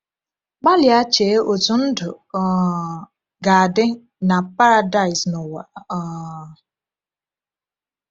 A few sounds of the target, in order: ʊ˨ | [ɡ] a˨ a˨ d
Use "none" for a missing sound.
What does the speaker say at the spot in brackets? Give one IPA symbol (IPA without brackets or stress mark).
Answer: ɡ